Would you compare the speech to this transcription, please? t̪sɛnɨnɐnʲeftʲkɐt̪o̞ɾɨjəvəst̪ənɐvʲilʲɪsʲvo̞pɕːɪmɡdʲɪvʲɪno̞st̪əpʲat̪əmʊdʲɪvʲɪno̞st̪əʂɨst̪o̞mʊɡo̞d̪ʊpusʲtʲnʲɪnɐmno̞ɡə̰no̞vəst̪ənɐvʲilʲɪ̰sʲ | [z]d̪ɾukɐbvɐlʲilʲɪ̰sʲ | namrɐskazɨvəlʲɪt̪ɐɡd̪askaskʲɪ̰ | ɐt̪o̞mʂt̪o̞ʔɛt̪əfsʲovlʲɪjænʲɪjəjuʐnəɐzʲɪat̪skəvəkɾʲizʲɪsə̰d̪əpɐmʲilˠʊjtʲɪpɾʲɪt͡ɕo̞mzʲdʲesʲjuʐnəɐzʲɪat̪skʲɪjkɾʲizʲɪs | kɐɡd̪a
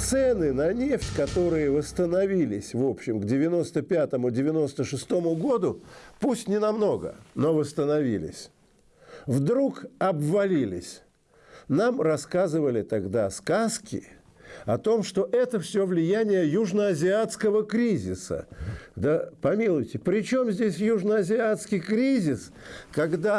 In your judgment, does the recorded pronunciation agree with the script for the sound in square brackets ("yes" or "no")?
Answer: no